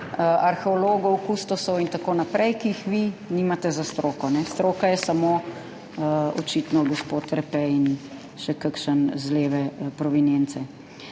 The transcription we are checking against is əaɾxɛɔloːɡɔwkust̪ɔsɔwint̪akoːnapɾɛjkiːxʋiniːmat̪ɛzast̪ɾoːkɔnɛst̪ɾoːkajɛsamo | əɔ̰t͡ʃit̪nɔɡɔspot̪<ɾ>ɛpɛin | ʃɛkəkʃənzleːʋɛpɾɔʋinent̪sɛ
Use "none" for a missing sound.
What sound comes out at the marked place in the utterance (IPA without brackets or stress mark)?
ɾ